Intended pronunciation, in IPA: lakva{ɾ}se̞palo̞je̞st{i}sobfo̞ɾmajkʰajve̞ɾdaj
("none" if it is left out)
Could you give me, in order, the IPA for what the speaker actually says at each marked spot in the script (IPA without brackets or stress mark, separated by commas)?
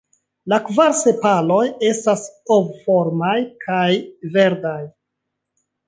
ɾ, a